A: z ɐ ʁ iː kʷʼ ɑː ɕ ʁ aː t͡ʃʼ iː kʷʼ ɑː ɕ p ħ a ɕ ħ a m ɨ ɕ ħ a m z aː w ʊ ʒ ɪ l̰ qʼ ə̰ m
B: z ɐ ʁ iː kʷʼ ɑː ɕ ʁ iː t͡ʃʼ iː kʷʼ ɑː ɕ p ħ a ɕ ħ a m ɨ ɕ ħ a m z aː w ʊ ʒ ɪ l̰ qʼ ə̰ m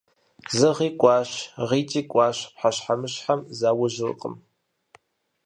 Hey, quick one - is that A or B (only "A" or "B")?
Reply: B